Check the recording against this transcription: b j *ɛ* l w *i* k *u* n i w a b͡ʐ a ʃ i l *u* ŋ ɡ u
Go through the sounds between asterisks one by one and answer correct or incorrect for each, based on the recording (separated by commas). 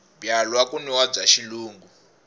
incorrect, incorrect, correct, incorrect